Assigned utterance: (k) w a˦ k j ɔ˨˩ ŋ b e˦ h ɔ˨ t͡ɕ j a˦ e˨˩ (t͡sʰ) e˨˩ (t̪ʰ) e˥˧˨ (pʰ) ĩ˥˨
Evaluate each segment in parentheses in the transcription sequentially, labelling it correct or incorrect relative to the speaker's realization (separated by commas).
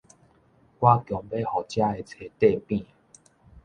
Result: correct, correct, incorrect, incorrect